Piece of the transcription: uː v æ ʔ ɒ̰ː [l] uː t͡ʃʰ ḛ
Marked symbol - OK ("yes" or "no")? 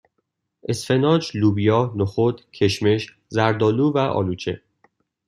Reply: yes